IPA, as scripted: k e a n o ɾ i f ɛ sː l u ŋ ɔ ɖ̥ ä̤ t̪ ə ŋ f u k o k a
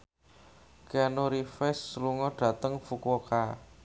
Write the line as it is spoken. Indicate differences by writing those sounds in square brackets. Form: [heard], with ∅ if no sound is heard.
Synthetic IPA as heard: k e a n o ɾ i f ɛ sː l u ŋ ɔ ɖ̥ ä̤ t̪ ə ŋ f u k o k a